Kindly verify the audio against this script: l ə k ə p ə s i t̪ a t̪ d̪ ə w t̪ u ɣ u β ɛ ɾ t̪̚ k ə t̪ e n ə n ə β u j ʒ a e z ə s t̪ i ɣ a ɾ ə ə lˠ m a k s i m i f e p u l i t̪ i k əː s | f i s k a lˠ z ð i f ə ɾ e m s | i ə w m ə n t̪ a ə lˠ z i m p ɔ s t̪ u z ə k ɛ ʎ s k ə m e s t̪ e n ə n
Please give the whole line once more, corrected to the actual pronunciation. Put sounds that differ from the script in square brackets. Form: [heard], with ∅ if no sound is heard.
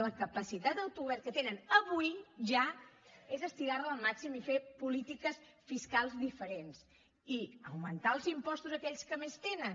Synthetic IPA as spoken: l ə k ə p ə s i t̪ a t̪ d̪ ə w t̪ u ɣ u β ɛ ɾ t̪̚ k ə t̪ e n ə n ə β u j ʒ a e z ə s t̪ i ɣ a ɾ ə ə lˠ m a k s i m i f e p u l i t̪ i k [ə] s | f i s k a lˠ z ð i f ə ɾ e [n] s | i ə w m ə n t̪ a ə lˠ z i m p ɔ s t̪ u z ə k ɛ ʎ s k ə m e s t̪ e n ə n